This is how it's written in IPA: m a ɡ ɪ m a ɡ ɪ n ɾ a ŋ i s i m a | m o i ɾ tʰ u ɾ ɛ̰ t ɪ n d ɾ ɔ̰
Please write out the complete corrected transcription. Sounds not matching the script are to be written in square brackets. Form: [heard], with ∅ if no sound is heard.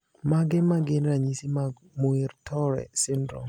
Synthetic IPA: m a ɡ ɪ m a ɡ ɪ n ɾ a [ɲ] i s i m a | m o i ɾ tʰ [ɔ] ɾ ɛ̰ [s] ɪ n d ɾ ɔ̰